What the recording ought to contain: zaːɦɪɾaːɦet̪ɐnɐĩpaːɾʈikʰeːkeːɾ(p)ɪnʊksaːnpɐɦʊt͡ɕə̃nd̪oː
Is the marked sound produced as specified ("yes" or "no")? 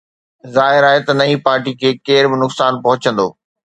no